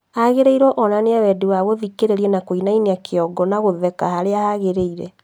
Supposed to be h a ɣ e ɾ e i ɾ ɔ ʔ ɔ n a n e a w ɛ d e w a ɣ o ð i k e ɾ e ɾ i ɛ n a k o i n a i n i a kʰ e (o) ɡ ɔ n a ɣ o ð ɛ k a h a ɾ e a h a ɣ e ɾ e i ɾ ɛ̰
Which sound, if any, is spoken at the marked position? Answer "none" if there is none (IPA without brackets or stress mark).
ɔ